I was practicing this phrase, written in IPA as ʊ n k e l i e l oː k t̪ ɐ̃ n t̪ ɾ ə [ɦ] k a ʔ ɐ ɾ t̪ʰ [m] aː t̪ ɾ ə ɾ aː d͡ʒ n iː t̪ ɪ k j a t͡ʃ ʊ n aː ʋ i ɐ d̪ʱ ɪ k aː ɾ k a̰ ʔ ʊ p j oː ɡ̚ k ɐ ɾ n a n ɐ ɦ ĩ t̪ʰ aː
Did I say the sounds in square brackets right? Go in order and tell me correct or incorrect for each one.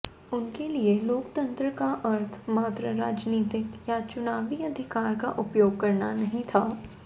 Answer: incorrect, correct

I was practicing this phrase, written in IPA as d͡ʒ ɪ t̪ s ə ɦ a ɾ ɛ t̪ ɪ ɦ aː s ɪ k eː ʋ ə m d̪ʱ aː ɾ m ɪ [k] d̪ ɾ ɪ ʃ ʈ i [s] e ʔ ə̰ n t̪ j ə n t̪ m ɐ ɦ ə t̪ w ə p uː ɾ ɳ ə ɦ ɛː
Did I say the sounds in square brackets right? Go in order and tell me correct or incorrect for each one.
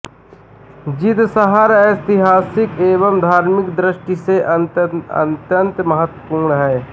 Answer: correct, correct

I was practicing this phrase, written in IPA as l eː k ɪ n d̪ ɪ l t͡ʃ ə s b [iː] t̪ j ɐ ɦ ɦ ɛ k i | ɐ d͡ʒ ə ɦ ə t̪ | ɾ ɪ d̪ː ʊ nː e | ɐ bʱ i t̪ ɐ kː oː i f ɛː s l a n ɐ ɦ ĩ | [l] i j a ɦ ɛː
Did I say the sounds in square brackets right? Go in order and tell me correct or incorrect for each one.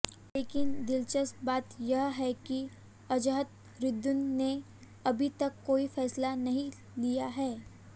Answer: incorrect, correct

